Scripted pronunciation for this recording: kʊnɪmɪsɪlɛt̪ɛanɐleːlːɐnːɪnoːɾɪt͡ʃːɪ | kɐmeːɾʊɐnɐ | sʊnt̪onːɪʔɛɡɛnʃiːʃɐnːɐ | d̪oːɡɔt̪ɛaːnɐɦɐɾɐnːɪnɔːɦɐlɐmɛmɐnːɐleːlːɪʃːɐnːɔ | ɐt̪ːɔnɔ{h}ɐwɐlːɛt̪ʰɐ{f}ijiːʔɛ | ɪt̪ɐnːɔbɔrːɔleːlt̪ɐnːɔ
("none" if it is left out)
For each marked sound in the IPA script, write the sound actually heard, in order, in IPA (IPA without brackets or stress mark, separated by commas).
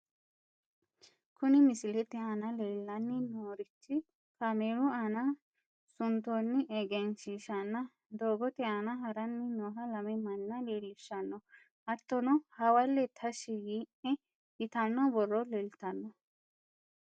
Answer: h, ʃ